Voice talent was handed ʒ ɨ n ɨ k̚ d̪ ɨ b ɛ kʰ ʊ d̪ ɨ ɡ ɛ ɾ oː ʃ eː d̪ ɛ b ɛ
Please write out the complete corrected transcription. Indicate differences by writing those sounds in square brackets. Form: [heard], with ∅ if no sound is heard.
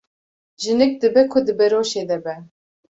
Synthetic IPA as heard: ʒ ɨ n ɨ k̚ d̪ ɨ b ɛ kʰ ʊ d̪ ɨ [b] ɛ ɾ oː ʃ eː d̪ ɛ b ɛ